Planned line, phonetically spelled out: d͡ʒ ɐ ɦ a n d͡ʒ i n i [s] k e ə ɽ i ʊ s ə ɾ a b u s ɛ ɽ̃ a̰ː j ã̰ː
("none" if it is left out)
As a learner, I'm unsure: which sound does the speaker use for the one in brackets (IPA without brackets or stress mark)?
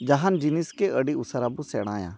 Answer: s